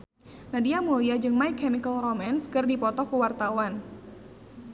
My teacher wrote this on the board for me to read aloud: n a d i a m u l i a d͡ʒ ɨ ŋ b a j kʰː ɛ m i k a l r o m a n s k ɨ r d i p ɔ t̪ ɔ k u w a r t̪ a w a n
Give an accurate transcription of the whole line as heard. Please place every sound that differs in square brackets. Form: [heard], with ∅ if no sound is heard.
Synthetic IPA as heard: n a d i a m u l i a d͡ʒ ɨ ŋ [m] a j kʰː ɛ m i k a l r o m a n s k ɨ r d i p ɔ t̪ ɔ k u w a r t̪ a w a n